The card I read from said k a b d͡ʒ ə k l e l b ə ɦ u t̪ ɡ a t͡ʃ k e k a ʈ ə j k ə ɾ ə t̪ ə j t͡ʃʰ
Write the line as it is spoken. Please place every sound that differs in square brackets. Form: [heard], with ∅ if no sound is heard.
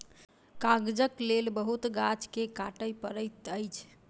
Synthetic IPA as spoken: k a [ɡ] d͡ʒ ə k l e l b ə ɦ u t̪ ɡ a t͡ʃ k e k a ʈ ə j [p] ə ɾ ə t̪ ə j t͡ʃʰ